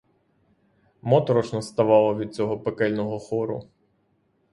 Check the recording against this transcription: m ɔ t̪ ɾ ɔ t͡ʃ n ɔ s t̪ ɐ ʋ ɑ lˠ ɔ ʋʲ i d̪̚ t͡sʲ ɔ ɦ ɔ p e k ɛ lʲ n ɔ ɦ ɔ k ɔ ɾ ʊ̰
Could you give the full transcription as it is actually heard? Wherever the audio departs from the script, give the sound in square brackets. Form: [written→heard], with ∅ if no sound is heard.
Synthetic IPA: m ɔ t̪ ɾ ɔ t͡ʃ n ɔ s t̪ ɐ ʋ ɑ lˠ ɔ ʋʲ i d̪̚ t͡sʲ ɔ ɦ ɔ p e k ɛ lʲ n ɔ ɦ ɔ [k→x] ɔ ɾ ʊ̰